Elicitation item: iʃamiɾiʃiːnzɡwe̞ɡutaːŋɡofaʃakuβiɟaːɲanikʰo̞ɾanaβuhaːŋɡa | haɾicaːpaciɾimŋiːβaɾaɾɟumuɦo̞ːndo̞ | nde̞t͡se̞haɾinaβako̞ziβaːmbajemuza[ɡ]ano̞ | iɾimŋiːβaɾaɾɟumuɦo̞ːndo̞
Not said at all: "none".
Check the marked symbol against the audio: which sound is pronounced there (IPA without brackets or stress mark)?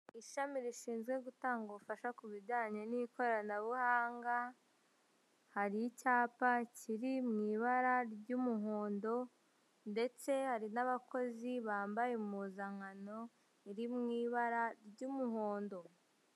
ŋ